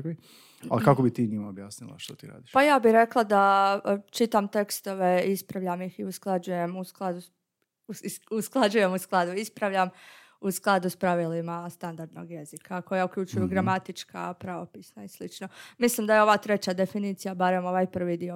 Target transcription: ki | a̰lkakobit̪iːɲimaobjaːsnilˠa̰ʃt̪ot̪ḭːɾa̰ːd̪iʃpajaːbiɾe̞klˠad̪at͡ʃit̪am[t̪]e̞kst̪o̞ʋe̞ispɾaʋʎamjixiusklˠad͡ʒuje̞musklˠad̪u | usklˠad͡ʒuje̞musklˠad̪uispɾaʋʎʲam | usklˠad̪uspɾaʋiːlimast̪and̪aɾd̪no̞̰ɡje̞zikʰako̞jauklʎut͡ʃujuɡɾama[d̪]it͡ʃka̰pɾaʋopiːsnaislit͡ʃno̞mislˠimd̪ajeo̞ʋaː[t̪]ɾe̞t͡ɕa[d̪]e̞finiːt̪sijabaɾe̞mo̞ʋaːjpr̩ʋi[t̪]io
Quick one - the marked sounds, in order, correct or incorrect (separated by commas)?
correct, incorrect, correct, correct, incorrect